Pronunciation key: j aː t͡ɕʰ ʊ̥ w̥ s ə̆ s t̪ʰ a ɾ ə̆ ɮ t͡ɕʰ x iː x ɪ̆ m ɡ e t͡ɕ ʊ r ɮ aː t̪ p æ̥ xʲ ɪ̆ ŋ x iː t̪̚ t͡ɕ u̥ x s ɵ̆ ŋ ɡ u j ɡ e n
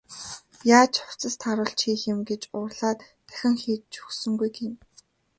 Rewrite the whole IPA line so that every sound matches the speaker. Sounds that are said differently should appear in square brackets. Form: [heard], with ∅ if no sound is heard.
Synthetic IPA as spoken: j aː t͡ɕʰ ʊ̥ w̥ [t͡s] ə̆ s t̪ʰ a ɾ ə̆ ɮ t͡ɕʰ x iː x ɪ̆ m ɡ e t͡ɕ ʊ r ɮ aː t̪ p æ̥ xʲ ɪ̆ ŋ x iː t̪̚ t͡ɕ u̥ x s ɵ̆ ŋ ɡ u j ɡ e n